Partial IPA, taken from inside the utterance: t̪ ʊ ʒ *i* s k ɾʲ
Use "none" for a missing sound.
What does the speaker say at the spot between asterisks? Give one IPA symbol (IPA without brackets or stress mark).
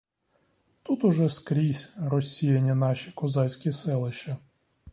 ɛ